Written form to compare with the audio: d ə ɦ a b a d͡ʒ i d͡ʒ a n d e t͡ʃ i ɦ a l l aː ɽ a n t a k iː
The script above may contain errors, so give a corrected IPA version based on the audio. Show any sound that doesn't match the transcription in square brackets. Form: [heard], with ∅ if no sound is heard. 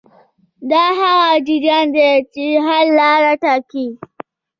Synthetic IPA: d [a] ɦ a [w] a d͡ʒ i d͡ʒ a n d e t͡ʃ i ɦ a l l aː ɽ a [∅] t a k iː